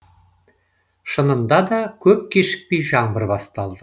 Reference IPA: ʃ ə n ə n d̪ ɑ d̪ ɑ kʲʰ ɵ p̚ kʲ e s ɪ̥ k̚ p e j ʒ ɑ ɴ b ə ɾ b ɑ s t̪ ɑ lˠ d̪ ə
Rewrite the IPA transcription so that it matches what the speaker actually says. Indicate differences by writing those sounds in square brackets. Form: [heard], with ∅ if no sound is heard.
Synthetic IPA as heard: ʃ ə n ə n d̪ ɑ d̪ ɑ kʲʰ ɵ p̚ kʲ e [ʃ] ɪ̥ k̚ p e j ʒ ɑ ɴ b ə ɾ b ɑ s t̪ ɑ lˠ d̪ ə